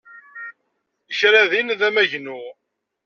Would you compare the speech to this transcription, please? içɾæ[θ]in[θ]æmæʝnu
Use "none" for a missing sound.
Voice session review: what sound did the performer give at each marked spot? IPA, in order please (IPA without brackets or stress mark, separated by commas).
ð, ð